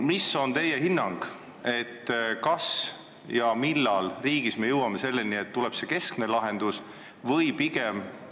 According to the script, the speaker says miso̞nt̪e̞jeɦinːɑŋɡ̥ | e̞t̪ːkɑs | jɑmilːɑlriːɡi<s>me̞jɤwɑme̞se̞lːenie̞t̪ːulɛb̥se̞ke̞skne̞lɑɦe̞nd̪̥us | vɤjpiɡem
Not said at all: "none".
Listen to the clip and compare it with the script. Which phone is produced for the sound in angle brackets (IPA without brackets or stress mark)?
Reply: s